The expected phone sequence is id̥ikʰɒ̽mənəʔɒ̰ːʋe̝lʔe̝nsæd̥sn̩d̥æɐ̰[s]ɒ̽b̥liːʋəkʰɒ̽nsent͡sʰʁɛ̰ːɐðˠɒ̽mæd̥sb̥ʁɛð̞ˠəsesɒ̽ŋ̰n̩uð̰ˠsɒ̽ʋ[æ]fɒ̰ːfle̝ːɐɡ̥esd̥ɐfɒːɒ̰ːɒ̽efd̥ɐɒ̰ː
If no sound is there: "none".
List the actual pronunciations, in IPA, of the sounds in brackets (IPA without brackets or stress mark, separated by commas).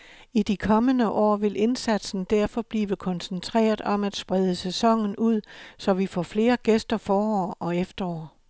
f, i